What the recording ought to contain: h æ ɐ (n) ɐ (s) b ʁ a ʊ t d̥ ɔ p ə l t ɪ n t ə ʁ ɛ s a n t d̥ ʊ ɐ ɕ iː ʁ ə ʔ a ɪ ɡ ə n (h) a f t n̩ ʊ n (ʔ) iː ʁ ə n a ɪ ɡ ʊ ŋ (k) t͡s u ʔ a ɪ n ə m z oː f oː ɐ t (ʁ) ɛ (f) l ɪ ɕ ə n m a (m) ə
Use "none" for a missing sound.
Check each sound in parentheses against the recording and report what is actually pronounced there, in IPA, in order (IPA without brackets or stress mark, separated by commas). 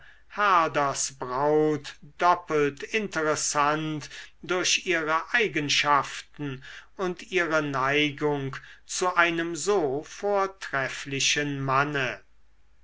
d, s, ʃ, t, k, ʁ, f, n